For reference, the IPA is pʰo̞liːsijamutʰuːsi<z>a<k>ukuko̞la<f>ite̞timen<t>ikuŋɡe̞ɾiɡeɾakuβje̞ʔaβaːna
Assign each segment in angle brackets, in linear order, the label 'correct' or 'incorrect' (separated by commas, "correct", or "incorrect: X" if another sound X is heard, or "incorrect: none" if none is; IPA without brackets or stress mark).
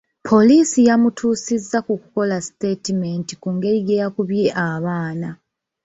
incorrect: zː, correct, incorrect: s, correct